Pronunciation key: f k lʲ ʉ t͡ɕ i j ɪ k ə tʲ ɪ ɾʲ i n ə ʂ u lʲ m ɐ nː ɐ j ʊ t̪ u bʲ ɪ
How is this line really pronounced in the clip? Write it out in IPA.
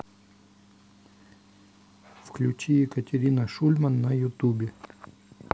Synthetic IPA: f k lʲ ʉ t͡ɕ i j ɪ k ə tʲ ɪ ɾʲ i n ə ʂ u lʲ m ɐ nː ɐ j ʊ t̪ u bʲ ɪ